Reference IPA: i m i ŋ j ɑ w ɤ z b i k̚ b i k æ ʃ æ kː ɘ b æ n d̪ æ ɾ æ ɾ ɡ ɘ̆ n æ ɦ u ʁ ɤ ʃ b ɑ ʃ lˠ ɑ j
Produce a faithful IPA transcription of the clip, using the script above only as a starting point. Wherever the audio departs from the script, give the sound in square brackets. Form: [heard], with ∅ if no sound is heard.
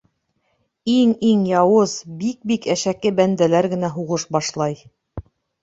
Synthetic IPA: i [ŋ] i ŋ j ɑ w ɤ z b i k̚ b i k æ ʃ æ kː ɘ b æ n d̪ æ [l] æ ɾ ɡ ɘ̆ n æ ɦ u ʁ ɤ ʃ b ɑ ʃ lˠ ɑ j